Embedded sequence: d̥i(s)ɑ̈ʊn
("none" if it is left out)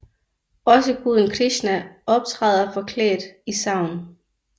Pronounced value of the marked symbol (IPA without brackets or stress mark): s